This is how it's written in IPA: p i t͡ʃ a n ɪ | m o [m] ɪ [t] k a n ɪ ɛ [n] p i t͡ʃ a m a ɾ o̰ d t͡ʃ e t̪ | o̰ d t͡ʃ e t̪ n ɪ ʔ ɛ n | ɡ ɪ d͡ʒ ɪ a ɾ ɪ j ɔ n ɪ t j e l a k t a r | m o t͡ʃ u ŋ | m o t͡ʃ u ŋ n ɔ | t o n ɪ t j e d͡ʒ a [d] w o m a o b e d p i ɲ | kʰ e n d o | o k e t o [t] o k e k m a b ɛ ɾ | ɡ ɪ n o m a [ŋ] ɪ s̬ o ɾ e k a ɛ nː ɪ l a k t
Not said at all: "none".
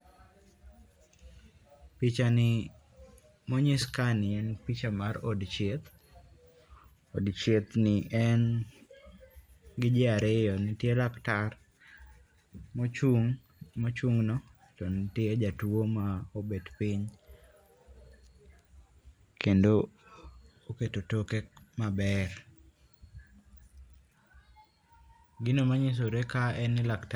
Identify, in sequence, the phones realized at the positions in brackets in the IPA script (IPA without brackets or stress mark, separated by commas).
ɲ, s, n, t, t, ɲ